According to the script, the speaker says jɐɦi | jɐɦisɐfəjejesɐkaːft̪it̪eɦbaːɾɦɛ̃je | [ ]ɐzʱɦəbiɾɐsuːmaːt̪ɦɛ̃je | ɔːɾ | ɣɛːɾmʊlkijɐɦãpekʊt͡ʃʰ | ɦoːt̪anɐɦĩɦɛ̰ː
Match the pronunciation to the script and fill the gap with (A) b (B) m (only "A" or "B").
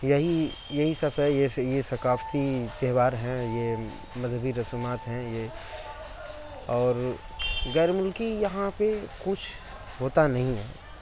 B